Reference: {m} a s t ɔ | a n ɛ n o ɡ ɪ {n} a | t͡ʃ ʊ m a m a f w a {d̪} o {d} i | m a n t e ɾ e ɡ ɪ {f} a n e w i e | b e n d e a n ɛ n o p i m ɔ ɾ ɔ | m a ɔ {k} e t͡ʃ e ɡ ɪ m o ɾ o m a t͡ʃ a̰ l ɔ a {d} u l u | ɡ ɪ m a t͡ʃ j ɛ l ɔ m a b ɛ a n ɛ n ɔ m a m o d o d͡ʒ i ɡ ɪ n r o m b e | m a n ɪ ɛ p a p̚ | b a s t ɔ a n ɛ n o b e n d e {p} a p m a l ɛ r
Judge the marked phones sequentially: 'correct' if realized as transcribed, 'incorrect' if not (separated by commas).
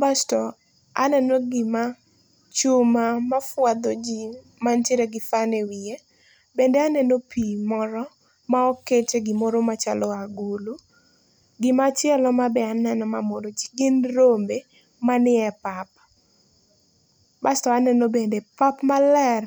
incorrect, incorrect, correct, incorrect, correct, correct, incorrect, correct